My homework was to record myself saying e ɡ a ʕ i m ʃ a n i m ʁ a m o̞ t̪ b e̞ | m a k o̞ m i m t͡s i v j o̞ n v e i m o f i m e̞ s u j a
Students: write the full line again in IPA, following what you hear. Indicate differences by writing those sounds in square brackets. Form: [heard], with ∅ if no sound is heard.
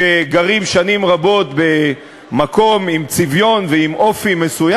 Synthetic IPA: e ɡ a [ʁ] i m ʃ a n i m ʁ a [b] o̞ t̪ b e̞ | m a k o̞ m i m t͡s i v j o̞ n v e i m o f i m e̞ s u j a